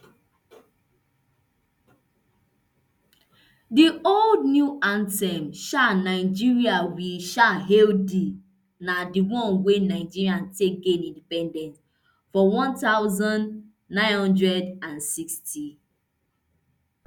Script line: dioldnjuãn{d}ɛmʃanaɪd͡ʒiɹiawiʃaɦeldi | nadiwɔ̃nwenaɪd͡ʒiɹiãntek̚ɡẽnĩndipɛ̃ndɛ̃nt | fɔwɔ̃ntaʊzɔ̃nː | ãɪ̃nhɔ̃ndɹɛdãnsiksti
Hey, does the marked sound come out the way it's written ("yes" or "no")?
no